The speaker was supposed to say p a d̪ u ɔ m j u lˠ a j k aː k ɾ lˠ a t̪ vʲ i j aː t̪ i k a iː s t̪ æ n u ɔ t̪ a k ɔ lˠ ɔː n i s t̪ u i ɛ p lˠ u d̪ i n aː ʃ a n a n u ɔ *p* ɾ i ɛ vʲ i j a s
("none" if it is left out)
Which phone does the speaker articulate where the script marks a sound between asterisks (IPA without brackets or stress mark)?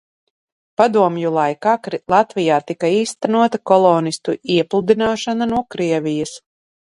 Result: k